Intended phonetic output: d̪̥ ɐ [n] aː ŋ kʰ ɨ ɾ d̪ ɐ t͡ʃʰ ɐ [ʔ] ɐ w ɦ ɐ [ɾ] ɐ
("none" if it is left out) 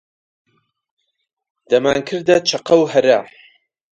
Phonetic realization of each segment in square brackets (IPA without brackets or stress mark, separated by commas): m, q, ɾ